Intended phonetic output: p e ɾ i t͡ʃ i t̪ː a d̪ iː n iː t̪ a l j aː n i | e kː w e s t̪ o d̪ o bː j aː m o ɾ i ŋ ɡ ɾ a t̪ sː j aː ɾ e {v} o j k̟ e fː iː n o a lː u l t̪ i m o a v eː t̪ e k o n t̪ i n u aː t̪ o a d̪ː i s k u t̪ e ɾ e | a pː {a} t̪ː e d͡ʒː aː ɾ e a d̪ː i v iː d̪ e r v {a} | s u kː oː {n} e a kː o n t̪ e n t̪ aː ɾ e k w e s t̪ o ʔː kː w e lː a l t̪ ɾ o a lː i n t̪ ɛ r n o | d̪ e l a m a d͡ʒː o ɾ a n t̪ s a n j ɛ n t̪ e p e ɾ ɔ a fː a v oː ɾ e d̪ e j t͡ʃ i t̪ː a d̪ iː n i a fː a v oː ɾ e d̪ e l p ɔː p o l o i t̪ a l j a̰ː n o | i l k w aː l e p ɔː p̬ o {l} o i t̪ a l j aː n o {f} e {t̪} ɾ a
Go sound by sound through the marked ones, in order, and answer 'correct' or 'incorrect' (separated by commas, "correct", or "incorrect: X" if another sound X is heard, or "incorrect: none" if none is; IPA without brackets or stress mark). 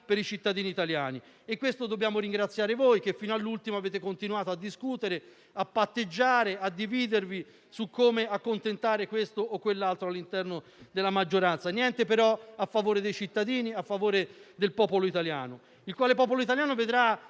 correct, correct, incorrect: i, incorrect: m, correct, incorrect: v, incorrect: d̪